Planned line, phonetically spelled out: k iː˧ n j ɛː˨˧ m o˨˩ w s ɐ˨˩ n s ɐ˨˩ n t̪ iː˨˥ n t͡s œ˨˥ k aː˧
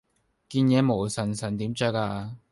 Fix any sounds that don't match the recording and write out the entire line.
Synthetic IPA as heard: k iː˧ n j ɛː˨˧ m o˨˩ w s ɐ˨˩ n s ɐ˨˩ n t̪ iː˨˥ m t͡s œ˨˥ k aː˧